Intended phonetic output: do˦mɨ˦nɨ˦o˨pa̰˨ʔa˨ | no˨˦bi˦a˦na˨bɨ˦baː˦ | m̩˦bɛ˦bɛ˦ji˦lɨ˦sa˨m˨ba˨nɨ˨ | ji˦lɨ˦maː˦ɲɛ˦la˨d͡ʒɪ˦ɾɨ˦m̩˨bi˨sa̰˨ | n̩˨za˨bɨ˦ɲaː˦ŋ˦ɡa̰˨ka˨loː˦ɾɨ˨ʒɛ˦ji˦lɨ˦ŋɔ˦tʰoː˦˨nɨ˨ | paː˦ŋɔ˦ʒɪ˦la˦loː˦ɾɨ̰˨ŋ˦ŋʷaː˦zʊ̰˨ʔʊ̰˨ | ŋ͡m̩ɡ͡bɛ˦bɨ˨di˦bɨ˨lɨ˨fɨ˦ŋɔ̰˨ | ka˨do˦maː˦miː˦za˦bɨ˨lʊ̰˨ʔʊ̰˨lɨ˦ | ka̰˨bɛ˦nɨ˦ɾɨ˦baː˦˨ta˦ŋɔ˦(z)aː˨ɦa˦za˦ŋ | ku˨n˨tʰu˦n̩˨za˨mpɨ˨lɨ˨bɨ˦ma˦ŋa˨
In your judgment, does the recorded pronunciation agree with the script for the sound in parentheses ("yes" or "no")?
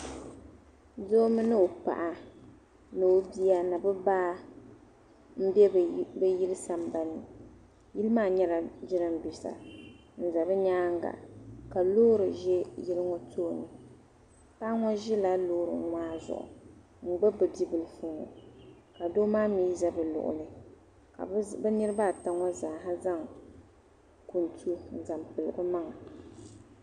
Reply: yes